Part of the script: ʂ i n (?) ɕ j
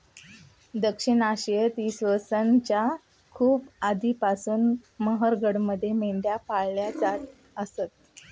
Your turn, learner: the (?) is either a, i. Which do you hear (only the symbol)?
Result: a